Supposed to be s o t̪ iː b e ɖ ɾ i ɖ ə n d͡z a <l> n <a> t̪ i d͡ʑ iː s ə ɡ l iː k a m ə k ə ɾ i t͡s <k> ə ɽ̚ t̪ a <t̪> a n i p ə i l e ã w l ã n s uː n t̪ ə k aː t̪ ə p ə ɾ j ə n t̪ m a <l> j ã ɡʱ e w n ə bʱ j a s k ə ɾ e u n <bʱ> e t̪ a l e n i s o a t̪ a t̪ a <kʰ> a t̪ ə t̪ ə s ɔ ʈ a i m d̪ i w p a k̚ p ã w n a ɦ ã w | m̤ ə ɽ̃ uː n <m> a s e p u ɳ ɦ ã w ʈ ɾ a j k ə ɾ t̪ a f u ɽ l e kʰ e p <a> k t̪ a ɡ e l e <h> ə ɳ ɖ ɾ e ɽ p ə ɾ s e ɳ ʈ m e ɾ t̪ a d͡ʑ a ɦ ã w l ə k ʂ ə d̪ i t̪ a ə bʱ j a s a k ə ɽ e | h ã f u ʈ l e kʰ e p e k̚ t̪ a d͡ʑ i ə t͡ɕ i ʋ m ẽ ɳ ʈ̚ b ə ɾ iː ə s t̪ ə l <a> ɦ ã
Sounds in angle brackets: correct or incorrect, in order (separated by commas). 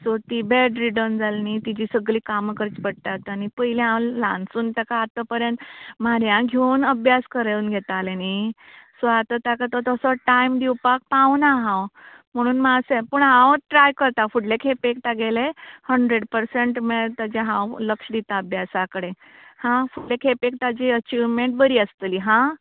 correct, incorrect, incorrect, correct, incorrect, incorrect, incorrect, correct, incorrect, correct, incorrect